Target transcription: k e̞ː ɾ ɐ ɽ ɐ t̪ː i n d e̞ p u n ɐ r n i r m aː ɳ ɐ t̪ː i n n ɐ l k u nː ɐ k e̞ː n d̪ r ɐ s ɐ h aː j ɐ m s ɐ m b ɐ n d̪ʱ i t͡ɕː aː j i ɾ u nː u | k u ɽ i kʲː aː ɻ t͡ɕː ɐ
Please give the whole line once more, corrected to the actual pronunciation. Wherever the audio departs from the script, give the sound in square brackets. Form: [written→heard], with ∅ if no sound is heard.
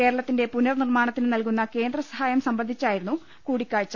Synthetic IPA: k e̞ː ɾ ɐ [ɽ→ɭ] ɐ t̪ː i n d e̞ p u n ɐ r n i r m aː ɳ ɐ t̪ː i n n ɐ l k u nː ɐ k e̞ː n d̪ r ɐ s ɐ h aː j ɐ m s ɐ m b ɐ n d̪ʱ i t͡ɕː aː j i ɾ u nː u | k [u→uː] ɽ i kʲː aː ɻ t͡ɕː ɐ